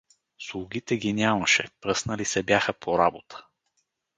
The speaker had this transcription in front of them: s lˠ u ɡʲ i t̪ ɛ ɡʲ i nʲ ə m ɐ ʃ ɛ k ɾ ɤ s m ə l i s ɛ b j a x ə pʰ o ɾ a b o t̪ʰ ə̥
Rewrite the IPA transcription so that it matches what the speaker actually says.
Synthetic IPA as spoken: s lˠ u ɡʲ i t̪ ɛ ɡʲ i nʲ a m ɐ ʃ ɛ p ɾ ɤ s n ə l i s ɛ b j a x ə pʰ o ɾ a b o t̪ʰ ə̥